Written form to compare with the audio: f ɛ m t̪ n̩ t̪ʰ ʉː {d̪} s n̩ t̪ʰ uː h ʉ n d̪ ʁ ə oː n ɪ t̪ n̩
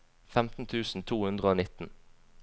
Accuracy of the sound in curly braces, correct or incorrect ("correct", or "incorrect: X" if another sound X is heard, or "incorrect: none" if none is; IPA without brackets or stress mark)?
incorrect: none